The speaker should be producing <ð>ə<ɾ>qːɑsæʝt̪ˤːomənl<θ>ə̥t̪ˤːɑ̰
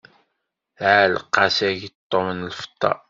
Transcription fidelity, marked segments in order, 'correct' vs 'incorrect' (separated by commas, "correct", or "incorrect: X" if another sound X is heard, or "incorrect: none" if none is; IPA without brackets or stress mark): incorrect: ʕ, incorrect: l, incorrect: f